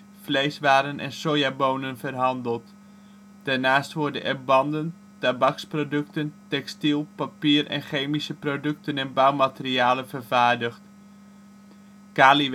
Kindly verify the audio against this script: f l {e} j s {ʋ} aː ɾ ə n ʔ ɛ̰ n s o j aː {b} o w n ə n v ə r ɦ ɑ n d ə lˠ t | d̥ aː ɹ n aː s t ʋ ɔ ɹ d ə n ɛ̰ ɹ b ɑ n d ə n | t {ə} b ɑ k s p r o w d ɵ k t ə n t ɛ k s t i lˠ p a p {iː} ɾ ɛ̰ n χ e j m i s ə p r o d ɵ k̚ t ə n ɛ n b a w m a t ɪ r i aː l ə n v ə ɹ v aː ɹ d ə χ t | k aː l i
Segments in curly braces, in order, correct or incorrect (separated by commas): correct, correct, correct, incorrect, correct